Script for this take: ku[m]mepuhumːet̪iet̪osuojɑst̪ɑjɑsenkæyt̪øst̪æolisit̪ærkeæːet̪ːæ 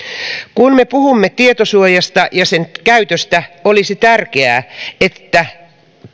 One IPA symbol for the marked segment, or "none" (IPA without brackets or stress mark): n